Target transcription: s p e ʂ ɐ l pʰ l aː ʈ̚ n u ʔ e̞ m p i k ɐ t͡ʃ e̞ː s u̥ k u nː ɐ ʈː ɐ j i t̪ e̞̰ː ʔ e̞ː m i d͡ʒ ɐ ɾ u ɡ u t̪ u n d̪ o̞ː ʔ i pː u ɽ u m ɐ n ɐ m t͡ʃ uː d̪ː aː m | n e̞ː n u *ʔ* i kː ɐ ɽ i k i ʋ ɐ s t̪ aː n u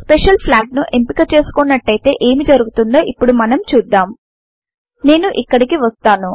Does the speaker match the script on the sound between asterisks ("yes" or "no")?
yes